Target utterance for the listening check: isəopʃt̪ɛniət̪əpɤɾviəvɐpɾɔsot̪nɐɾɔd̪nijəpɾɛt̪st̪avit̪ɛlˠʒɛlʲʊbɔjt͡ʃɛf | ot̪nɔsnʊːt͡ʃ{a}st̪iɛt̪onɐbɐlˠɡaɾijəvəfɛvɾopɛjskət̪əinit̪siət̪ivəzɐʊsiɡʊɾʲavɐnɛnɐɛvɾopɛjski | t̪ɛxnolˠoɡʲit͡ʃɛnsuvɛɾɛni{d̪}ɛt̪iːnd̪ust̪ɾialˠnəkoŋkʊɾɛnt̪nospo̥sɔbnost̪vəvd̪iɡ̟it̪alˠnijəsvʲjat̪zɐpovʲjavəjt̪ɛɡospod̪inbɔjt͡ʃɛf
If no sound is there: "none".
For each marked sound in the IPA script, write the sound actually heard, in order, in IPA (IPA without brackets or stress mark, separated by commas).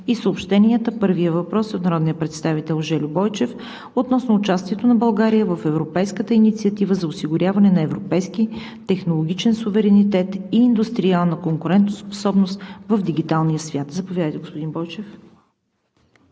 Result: a, t̪